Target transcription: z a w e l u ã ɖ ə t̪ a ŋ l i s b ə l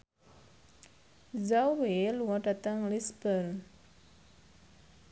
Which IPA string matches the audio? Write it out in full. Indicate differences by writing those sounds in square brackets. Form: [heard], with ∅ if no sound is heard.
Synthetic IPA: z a w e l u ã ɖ [a] t̪ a ŋ l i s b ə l